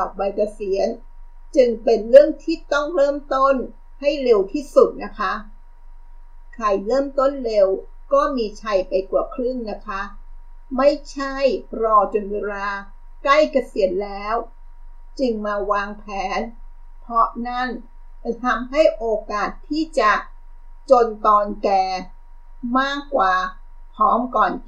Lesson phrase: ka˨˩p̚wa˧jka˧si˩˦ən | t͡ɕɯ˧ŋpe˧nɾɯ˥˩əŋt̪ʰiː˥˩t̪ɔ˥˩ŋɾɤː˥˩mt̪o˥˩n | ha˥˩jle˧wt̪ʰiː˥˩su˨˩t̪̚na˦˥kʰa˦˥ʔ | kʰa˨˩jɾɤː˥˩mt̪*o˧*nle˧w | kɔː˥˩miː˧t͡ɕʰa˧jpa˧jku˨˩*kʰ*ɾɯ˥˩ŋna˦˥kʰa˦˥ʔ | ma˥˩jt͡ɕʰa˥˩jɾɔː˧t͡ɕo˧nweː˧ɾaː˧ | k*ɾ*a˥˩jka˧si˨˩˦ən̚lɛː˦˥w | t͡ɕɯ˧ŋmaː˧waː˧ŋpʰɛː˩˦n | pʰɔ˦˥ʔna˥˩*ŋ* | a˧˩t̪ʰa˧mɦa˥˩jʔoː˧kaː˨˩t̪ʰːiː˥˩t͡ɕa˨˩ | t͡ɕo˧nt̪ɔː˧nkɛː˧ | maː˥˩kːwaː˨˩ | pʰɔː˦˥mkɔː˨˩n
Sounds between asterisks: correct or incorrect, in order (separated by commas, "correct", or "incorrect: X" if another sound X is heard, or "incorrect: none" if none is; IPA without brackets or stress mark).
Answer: incorrect: o˥˩, correct, incorrect: l, incorrect: n